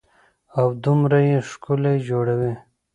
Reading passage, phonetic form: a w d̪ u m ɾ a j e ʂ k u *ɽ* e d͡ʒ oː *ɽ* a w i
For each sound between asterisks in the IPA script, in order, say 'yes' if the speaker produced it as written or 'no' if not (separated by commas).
no, yes